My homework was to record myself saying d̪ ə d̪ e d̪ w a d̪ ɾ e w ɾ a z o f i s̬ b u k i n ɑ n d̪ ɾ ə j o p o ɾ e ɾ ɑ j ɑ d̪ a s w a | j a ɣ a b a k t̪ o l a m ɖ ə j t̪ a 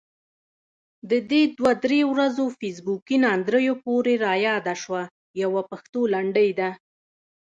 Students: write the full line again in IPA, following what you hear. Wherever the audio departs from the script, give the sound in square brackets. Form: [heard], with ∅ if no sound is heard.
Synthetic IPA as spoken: d̪ ə d̪ e d̪ w a d̪ ɾ e w ɾ a z o f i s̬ b u k i n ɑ n d̪ ɾ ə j o p o ɾ e ɾ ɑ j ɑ d̪ a [ʃ] w a | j a [w] a [p] a [x] t̪ o l a [ɳ] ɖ ə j [d̪] a